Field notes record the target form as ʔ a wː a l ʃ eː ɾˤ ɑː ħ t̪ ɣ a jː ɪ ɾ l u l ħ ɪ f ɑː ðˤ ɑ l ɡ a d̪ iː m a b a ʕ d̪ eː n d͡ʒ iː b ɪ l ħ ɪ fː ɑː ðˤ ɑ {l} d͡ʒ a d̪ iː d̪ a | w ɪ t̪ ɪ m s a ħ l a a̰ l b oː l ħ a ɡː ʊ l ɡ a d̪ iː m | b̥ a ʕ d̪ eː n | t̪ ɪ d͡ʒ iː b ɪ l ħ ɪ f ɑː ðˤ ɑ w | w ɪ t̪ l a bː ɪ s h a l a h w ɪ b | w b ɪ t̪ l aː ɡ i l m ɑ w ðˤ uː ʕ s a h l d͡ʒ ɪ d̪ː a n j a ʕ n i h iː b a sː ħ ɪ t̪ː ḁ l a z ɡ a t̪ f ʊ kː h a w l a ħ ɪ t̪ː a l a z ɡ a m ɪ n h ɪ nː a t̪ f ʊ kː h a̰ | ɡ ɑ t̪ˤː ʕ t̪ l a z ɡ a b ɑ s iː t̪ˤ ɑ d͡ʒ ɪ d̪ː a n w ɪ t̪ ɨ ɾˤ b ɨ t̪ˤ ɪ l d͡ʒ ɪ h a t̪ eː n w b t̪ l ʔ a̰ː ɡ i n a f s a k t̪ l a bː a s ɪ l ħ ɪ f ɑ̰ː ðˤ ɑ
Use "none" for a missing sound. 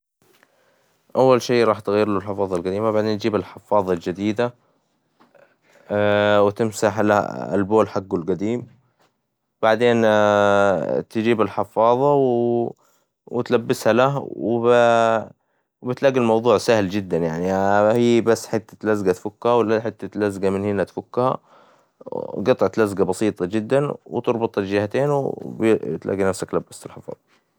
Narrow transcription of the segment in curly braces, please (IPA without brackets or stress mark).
l